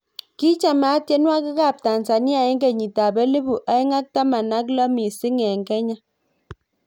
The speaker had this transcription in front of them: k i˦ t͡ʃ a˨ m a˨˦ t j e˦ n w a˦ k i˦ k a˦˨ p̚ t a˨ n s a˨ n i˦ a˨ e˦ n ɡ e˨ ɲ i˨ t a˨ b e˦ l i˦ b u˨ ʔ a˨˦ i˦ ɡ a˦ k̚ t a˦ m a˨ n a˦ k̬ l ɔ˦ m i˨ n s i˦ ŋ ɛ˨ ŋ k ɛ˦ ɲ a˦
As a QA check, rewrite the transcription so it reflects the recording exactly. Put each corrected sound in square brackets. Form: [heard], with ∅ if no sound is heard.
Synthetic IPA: k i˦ t͡ʃ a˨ m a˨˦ t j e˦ n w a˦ k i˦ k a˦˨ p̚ t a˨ n s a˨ n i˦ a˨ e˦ [ŋ] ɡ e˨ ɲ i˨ t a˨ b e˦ l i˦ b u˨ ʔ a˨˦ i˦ [ŋ] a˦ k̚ t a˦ m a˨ n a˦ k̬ l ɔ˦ m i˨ [∅] s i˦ ŋ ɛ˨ ŋ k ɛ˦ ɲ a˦